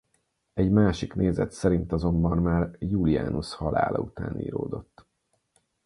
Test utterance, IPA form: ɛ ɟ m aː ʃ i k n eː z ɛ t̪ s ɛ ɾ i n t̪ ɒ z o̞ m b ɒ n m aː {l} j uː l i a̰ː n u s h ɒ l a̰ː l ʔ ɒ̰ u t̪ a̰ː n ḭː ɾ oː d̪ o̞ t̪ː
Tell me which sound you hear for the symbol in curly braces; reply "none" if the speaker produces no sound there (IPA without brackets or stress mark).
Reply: r